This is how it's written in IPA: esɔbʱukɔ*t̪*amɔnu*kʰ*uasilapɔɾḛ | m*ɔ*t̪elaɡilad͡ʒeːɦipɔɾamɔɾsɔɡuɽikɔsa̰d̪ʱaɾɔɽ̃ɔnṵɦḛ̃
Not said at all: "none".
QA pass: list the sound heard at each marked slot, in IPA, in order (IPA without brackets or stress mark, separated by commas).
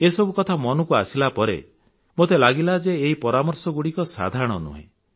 t̪ʰ, k, o